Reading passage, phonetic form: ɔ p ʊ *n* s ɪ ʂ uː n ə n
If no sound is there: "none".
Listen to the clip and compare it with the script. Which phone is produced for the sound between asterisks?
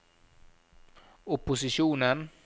none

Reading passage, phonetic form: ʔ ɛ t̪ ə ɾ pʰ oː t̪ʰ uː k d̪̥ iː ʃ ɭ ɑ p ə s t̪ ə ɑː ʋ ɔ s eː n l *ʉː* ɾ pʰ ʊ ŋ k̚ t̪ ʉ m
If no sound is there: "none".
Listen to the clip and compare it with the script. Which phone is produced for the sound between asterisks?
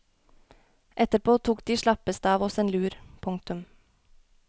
ʉː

